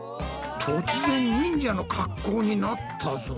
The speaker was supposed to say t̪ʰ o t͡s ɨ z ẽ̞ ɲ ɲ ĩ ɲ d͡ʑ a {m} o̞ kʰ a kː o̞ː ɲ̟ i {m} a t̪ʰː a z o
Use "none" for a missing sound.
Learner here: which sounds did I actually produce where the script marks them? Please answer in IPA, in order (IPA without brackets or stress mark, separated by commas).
n, n